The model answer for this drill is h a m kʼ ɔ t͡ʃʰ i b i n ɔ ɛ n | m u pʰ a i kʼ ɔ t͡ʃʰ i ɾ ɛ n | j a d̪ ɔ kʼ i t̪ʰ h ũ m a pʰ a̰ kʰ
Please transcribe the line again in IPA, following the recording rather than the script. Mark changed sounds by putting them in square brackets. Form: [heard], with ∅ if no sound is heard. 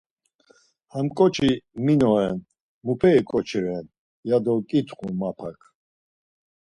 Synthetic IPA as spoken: h a m kʼ ɔ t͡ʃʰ i [m] i n ɔ ɛ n | m u pʰ [ɛ] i kʼ ɔ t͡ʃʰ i ɾ ɛ n | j a d̪ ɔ kʼ i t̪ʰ [χ] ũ m a pʰ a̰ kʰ